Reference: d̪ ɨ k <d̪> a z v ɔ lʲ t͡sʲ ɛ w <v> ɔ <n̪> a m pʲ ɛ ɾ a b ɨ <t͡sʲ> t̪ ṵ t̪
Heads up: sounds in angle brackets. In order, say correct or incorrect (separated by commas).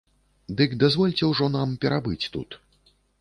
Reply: correct, incorrect, correct, correct